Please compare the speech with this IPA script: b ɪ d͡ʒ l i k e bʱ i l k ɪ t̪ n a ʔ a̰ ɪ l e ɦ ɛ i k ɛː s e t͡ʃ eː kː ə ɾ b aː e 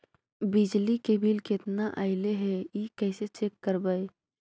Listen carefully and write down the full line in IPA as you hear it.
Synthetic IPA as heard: b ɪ d͡ʒ l i k e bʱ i l k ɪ t̪ n a ʔ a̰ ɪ l e ɦ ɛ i k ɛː s e t͡ʃ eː kː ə ɾ b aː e